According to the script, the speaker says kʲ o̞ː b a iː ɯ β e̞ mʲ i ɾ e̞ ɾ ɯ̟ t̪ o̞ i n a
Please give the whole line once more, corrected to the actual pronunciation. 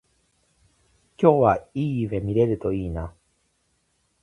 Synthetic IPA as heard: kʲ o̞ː β a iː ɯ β e̞ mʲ i ɾ e̞ ɾ ɯ̟ t̪ o̞ iː n a